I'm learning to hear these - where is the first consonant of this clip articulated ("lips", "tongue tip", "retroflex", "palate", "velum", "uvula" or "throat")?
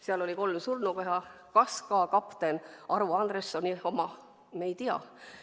tongue tip